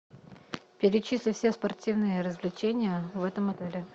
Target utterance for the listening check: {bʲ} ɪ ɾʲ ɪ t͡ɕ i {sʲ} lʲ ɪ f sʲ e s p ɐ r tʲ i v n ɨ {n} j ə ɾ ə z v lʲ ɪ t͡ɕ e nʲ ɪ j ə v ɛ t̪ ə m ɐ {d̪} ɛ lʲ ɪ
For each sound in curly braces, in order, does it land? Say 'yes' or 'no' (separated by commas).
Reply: no, yes, no, no